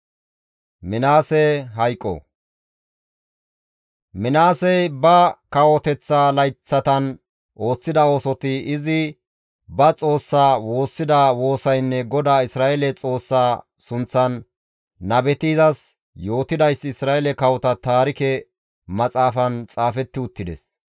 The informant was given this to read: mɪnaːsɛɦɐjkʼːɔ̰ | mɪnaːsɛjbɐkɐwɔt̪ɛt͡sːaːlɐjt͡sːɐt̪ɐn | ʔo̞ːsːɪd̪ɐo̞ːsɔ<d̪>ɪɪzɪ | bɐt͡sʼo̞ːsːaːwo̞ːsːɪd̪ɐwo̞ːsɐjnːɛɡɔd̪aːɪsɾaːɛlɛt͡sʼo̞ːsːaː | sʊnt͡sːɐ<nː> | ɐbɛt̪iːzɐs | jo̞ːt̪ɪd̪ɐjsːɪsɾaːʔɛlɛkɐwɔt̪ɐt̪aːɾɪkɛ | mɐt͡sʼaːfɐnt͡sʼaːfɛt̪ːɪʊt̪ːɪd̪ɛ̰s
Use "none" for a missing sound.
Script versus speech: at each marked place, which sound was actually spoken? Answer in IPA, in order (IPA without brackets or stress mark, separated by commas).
t̪, nː